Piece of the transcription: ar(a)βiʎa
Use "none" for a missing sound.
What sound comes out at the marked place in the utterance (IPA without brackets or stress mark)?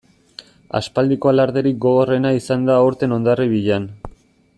i